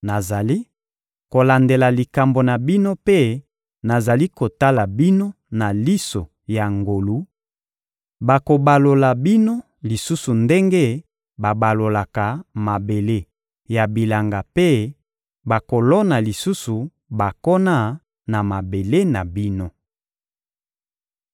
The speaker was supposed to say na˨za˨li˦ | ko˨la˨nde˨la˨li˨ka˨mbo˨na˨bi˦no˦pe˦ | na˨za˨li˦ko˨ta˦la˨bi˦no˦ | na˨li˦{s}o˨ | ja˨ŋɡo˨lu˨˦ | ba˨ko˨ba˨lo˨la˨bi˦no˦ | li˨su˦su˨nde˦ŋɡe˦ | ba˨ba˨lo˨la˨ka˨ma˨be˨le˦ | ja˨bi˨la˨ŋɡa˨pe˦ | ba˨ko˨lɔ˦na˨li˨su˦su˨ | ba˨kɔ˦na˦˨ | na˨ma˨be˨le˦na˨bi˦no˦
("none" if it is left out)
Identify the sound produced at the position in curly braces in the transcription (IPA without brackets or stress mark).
s